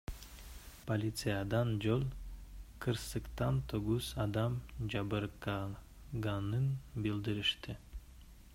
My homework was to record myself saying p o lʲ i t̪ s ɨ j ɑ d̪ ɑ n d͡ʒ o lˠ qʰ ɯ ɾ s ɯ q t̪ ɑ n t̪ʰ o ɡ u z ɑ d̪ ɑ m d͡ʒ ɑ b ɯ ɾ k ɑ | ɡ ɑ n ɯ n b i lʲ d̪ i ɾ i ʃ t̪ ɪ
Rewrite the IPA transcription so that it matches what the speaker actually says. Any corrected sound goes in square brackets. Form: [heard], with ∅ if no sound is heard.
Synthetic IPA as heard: p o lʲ i t̪ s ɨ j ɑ d̪ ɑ n d͡ʒ o lˠ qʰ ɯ ɾ s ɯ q t̪ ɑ n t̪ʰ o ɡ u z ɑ d̪ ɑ m d͡ʒ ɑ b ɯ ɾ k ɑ | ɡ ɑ n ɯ n b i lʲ d̪ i ɾ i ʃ t̪ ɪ